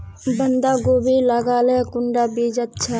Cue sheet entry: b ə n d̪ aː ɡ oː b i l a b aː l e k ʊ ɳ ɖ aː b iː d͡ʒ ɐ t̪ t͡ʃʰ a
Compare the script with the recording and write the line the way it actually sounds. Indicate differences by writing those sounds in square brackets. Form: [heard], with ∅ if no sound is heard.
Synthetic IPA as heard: b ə n d̪ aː ɡ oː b i l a [ɡ] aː l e k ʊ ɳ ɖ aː b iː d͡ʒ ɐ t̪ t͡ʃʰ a